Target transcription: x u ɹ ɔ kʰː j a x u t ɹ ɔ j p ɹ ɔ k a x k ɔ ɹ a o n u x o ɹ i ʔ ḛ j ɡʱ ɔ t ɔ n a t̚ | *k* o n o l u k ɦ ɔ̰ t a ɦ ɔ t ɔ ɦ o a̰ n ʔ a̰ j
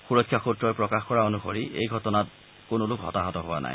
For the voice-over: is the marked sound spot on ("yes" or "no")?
yes